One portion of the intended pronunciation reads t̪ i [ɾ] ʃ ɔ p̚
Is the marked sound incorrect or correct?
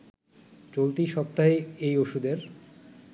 incorrect